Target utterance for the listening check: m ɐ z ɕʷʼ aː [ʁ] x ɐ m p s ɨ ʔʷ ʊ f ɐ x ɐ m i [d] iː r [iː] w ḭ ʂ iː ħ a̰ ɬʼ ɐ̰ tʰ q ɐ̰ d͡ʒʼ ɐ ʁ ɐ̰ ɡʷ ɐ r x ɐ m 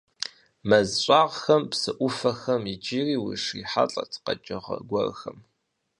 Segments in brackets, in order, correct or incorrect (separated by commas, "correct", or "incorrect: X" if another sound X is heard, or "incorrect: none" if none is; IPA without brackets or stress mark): correct, incorrect: d͡ʒ, correct